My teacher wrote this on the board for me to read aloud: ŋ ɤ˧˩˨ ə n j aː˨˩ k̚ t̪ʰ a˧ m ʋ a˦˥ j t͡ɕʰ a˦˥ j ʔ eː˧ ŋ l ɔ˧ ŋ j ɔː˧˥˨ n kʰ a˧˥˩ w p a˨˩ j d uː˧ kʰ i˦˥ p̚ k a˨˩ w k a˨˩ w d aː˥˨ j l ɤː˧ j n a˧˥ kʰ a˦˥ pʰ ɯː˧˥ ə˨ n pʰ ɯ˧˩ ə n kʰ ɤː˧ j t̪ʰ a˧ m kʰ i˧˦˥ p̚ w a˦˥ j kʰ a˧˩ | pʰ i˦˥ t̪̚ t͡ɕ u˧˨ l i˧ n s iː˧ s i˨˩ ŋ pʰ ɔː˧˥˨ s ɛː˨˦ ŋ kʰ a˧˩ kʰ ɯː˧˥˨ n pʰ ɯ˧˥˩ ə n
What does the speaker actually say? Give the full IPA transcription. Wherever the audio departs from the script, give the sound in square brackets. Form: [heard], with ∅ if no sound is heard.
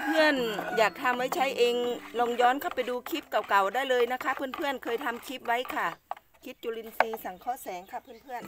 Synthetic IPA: ŋ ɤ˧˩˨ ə n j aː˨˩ k̚ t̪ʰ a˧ m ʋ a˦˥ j t͡ɕʰ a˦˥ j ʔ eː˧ ŋ l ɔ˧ ŋ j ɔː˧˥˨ n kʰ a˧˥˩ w p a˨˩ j d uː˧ kʰ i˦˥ p̚ k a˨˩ w k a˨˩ w d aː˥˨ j l ɤː˧ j n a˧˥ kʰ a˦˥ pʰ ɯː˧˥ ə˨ n pʰ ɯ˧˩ ə n kʰ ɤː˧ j t̪ʰ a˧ m kʰ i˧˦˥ p̚ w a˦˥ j kʰ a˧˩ | [kʰ] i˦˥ t̪̚ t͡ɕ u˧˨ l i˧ n s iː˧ s [a˨˩] ŋ [kʰ] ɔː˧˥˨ s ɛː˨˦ ŋ kʰ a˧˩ [pʰ] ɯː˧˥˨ n pʰ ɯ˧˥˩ ə n

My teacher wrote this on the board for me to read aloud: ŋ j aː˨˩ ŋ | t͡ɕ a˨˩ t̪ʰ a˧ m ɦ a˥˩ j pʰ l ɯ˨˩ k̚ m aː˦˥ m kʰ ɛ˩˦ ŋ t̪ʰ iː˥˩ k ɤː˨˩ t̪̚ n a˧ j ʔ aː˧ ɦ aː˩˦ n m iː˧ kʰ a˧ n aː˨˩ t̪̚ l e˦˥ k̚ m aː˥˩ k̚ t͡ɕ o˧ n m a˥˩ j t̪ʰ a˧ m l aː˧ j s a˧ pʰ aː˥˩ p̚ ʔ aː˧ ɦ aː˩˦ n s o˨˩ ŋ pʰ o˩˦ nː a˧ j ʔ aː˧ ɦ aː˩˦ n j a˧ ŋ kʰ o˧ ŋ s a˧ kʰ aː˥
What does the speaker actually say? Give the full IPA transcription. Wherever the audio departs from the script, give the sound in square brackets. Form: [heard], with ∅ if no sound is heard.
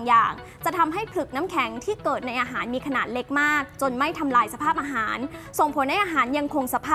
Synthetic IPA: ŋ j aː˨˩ ŋ | t͡ɕ a˨˩ t̪ʰ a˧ m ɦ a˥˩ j pʰ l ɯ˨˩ k̚ [n] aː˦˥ m kʰ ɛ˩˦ ŋ t̪ʰ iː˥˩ k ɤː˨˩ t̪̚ n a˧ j ʔ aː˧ ɦ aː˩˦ n m iː˧ kʰ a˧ n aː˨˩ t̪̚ l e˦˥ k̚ m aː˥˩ k̚ t͡ɕ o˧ n m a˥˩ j t̪ʰ a˧ m l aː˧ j s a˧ pʰ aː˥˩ p̚ ʔ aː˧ ɦ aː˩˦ n s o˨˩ ŋ pʰ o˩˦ nː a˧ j ʔ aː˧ ɦ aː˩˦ n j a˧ ŋ kʰ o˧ ŋ s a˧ [pʰ] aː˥

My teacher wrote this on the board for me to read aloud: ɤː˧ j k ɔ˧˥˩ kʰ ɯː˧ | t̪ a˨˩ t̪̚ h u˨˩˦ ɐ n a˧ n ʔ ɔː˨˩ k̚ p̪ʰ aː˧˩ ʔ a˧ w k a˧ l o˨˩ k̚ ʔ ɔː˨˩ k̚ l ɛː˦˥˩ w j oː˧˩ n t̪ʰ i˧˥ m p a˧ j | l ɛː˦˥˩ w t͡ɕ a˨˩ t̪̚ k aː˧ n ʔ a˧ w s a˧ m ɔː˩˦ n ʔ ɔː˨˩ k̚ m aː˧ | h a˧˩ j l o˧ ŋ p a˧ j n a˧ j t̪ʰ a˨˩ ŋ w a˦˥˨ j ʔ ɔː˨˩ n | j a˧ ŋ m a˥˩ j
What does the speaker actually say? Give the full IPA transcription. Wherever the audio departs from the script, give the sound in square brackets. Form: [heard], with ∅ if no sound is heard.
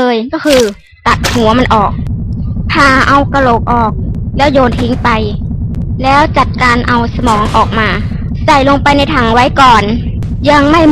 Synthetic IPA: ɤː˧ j k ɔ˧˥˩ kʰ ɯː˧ | t̪ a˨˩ t̪̚ h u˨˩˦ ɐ [m] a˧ n ʔ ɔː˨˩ k̚ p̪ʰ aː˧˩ ʔ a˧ w k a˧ l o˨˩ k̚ ʔ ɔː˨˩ k̚ l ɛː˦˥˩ w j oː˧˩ n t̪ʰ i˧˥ [ŋ] p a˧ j | l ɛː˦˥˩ w t͡ɕ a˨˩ t̪̚ k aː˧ n ʔ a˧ w s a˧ m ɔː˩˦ [ŋ] ʔ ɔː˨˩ k̚ m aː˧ | [s] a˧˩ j l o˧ ŋ p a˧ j n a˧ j t̪ʰ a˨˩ ŋ w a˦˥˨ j [k] ɔː˨˩ n | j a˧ ŋ m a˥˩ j

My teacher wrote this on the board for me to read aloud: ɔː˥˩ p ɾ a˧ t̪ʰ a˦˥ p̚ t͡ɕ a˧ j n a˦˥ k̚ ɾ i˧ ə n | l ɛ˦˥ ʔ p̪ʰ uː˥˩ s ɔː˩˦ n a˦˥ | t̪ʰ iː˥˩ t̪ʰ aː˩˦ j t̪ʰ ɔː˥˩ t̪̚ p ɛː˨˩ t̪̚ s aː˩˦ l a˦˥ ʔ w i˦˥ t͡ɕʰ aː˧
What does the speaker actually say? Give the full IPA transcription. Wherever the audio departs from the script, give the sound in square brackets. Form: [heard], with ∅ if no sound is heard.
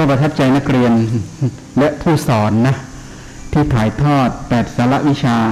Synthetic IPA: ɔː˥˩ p ɾ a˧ t̪ʰ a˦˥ p̚ t͡ɕ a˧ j n a˦˥ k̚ ɾ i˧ ə n | l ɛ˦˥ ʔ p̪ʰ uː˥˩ s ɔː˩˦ [nː] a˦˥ | t̪ʰ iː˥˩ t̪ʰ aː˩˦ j t̪ʰ ɔː˥˩ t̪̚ p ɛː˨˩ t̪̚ s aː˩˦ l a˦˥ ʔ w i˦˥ t͡ɕʰ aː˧

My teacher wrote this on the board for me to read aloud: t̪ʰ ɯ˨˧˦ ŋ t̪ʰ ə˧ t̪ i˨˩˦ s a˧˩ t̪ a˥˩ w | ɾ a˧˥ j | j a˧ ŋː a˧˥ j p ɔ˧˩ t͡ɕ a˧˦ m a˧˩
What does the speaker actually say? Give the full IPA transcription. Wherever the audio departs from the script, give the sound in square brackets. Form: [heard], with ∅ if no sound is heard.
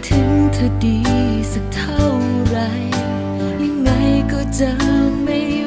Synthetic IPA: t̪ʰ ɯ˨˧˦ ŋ t̪ʰ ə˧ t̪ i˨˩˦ s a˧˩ [t̪ʰ] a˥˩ w | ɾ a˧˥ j | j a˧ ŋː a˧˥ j [k] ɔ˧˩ t͡ɕ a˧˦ m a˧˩

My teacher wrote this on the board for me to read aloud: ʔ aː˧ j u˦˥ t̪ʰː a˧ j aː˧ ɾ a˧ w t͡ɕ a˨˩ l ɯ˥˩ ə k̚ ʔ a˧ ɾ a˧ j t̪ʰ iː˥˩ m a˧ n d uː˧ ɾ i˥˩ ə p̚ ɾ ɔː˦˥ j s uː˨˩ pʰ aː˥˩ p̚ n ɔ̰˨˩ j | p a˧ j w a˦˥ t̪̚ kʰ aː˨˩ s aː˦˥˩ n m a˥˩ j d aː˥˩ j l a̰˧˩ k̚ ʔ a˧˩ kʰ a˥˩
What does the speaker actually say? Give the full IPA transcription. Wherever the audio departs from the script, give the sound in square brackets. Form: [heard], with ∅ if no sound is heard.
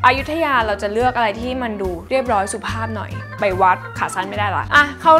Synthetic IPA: ʔ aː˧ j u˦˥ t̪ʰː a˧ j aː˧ ɾ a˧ w t͡ɕ a˨˩ l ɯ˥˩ ə k̚ ʔ a˧ ɾ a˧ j t̪ʰ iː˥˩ m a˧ n d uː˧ ɾ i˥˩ ə p̚ ɾ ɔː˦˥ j s [u˨˩] pʰ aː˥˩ p̚ n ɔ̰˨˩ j | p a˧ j w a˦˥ t̪̚ kʰ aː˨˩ s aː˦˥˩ n m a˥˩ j d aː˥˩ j l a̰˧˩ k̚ ʔ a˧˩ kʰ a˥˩

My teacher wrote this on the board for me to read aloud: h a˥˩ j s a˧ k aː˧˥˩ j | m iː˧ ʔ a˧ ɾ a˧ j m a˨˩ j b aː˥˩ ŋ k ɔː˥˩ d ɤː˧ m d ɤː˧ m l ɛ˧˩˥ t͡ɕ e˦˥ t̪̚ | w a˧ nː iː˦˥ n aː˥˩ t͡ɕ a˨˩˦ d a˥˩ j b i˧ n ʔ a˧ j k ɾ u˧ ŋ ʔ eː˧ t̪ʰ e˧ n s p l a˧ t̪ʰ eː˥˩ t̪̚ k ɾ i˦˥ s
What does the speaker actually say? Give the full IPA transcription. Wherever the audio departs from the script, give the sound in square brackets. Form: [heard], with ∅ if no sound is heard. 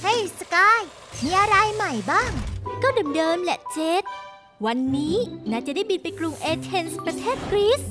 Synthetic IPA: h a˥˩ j s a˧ k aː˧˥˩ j | m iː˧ ʔ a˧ ɾ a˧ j m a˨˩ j b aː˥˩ ŋ k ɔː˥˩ d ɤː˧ m d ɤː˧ m l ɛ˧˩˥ t͡ɕ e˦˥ t̪̚ | w a˧ nː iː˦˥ n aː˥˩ t͡ɕ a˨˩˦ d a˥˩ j b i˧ n [p] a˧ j k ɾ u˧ ŋ ʔ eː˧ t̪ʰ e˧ n s p [ɾ] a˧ t̪ʰ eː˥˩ t̪̚ k ɾ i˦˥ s

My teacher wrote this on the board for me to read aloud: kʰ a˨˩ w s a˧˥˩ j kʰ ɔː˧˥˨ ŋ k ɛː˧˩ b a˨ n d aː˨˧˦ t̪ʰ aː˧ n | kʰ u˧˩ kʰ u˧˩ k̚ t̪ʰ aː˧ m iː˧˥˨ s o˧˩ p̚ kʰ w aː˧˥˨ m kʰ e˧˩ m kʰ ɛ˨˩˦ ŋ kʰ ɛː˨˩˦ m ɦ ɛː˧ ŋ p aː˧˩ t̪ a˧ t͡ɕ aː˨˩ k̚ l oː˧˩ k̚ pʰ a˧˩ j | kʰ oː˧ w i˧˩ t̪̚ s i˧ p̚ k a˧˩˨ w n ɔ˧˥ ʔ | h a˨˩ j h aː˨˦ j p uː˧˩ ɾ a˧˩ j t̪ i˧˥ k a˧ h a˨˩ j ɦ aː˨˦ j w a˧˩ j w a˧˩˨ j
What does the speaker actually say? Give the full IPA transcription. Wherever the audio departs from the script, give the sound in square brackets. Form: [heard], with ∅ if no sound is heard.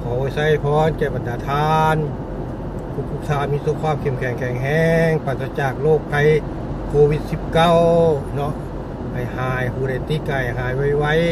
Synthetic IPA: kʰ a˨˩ w s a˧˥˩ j [pʰ] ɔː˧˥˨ [n] k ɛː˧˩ b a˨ n d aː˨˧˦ t̪ʰ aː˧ n | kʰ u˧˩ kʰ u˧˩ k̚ t̪ʰ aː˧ m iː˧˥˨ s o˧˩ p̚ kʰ w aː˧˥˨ m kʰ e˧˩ m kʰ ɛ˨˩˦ ŋ kʰ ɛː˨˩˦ [ŋ] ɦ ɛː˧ ŋ p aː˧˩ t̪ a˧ t͡ɕ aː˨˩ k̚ l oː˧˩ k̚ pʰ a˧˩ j | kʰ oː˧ w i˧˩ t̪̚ s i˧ p̚ k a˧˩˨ w n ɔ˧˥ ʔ | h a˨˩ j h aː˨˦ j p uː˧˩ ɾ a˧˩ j t̪ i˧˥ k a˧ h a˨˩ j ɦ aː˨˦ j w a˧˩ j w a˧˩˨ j

